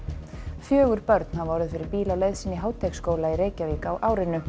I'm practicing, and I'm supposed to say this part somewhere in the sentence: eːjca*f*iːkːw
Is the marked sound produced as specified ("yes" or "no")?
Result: no